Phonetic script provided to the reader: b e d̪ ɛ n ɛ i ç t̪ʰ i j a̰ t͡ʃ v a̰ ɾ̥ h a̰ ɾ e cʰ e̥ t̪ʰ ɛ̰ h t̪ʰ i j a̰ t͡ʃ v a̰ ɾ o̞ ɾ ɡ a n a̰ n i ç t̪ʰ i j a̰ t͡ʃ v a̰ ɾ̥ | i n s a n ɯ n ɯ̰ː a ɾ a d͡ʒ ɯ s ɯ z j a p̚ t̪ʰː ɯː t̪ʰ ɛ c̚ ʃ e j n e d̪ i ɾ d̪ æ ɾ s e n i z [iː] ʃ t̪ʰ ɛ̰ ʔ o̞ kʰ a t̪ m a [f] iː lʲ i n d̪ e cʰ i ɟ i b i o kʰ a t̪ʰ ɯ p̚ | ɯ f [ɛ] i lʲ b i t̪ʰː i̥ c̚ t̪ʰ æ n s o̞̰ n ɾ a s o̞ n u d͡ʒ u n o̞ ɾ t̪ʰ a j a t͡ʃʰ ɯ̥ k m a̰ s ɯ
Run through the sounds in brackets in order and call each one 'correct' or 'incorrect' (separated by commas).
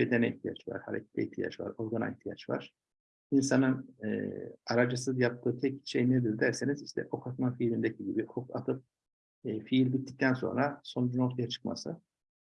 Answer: incorrect, correct, incorrect